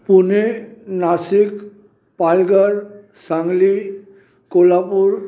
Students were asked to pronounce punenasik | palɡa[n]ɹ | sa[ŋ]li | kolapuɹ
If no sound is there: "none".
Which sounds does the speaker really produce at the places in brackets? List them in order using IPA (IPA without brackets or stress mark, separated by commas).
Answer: none, ŋ